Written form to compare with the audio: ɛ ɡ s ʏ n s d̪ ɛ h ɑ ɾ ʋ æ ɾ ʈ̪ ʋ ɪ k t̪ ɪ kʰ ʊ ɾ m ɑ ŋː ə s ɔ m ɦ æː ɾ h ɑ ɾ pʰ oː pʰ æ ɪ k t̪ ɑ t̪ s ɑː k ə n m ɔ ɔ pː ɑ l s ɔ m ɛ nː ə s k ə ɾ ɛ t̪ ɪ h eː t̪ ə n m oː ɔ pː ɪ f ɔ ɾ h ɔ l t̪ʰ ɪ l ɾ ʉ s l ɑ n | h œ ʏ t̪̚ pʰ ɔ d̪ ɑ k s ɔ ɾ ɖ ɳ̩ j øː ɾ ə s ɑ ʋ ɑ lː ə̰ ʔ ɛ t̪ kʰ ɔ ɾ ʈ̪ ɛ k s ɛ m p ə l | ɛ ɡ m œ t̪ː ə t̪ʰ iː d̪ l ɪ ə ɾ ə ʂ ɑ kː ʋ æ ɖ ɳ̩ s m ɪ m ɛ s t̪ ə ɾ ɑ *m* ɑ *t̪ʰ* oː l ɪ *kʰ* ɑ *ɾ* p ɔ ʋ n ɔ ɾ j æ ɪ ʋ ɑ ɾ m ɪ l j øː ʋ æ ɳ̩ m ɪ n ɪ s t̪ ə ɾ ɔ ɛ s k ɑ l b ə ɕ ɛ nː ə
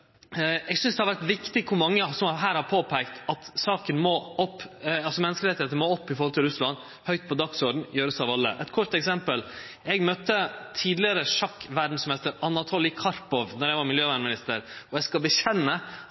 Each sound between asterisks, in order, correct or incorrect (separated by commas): incorrect, correct, correct, correct